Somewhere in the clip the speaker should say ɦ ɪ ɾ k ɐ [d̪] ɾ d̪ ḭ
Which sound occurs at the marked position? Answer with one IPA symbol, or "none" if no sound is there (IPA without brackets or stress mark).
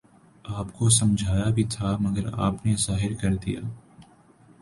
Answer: none